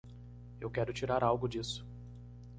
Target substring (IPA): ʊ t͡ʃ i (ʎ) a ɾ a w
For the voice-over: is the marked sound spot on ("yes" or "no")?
no